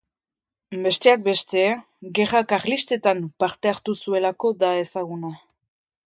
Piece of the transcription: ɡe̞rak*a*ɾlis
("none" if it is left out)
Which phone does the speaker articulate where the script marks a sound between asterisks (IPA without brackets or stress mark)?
a